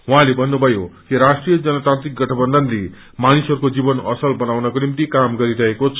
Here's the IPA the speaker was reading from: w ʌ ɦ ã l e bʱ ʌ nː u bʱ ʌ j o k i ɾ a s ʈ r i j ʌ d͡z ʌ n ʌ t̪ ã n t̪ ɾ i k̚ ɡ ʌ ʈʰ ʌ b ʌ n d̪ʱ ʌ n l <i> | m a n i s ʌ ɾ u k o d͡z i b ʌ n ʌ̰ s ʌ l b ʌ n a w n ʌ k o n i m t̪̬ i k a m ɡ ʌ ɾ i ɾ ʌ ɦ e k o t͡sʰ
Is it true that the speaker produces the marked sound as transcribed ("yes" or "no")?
no